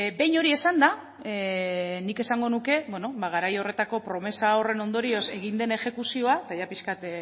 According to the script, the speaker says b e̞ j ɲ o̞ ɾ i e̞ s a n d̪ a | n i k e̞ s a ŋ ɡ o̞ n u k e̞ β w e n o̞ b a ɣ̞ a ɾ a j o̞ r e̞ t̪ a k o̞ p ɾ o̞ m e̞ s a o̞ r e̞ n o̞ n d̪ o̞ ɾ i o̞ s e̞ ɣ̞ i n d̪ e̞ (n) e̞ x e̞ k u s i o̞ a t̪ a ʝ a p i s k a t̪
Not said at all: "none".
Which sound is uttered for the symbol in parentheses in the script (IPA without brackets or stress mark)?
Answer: n